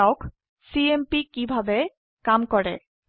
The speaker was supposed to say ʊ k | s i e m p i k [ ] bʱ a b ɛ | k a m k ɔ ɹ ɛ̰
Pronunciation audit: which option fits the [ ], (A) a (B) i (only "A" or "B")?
B